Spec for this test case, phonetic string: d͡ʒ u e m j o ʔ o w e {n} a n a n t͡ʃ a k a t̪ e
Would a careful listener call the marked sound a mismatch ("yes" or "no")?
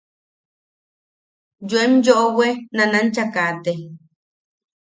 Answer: no